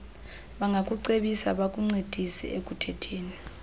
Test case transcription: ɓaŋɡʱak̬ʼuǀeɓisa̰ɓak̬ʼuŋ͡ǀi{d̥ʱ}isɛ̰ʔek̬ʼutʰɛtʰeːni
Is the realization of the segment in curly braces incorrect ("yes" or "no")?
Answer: no